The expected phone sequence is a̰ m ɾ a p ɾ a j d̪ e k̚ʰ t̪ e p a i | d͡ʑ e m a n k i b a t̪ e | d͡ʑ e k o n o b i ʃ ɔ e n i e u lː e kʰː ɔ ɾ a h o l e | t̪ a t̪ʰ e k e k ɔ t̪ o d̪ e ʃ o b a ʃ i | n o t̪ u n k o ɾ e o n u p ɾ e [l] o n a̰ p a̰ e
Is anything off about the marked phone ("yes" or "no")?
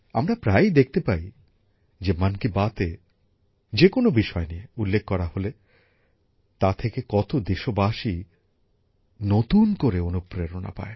yes